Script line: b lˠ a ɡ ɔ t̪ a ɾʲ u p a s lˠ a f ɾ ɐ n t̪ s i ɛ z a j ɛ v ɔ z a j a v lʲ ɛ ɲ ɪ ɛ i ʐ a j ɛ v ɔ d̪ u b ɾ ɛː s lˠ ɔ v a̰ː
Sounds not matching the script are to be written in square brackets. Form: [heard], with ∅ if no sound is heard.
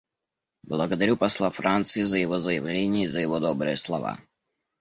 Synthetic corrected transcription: b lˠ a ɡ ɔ [d̪] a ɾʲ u p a s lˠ a f ɾ [a] n t̪ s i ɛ z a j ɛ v ɔ z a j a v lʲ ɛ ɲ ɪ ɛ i [z] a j ɛ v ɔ d̪ [ɔ] b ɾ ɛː s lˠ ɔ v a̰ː